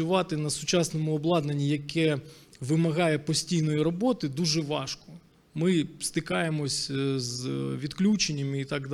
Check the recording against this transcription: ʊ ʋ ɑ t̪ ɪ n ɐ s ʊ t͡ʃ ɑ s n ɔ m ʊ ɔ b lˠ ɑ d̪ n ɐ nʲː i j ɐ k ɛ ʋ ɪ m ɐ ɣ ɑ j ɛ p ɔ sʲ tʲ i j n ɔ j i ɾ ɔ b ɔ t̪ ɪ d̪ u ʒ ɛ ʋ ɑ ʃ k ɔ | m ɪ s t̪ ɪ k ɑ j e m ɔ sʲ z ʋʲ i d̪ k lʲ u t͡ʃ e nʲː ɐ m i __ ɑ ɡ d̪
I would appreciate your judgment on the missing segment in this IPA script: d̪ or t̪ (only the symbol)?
t̪